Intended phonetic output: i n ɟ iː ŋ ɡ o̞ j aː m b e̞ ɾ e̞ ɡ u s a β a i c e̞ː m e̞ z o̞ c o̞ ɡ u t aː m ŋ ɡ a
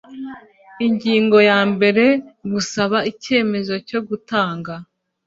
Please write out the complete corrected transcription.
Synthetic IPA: i ɲ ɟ iː ŋ ɡ o̞ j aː m b e̞ ɾ e̞ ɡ u s a β a i c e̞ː m e̞ z o̞ c o̞ ɡ u t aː ŋ ɡ a